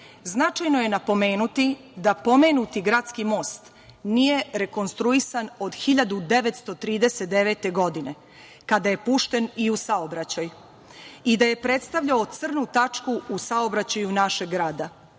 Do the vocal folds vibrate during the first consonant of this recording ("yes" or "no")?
yes